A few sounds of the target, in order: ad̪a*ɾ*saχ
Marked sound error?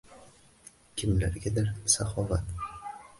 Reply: no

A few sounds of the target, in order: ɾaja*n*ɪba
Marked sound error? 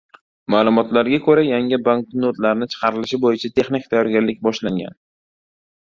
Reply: yes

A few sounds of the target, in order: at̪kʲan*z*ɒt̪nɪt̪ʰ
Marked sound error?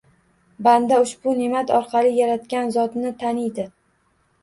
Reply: no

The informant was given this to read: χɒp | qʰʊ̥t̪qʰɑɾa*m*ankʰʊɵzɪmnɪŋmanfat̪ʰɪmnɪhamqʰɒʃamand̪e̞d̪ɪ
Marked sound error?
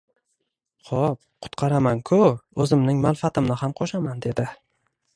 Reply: no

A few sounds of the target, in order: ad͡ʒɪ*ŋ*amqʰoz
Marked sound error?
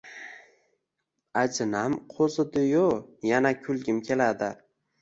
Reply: yes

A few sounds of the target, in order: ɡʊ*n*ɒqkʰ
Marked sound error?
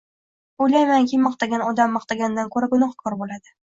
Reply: no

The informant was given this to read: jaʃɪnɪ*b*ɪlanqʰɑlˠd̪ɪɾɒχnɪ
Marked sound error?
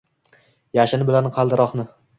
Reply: no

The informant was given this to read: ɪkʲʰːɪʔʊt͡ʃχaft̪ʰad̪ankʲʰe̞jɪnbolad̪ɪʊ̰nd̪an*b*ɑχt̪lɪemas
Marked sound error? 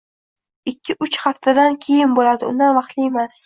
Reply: yes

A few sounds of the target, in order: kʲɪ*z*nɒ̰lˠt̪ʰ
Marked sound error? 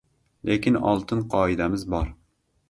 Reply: yes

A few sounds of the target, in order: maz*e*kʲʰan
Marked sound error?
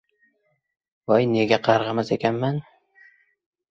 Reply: no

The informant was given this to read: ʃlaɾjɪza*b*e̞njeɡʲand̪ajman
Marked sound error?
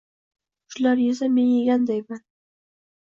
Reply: yes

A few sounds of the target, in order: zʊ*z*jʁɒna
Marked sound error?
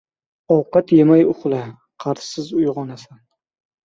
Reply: yes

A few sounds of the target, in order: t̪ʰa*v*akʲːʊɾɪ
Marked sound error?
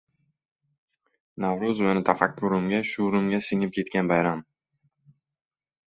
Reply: yes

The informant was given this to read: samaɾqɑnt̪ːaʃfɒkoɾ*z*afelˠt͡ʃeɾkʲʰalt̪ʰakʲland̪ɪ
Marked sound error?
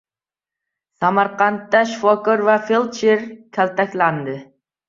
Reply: yes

